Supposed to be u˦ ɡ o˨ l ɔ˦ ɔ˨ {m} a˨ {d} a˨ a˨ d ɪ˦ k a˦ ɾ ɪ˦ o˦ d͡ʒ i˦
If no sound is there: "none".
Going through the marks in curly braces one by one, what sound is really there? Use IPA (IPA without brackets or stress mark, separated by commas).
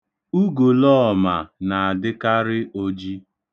m, n